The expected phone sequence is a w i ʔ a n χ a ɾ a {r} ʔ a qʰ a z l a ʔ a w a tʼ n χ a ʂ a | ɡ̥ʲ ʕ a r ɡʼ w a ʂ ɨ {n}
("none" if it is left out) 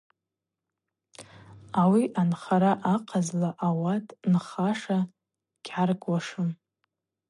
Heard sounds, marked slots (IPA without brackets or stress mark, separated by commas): none, m